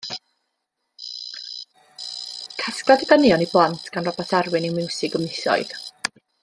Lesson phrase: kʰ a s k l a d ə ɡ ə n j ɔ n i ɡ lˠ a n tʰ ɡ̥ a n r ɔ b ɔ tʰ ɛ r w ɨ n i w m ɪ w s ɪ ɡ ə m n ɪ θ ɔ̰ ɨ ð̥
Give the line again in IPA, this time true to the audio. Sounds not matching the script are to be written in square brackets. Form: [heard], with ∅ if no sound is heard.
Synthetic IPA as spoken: kʰ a s k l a d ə ɡ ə n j ɔ n i [b] lˠ a n tʰ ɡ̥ a n r ɔ b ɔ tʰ [a] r w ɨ n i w m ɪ w s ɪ ɡ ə m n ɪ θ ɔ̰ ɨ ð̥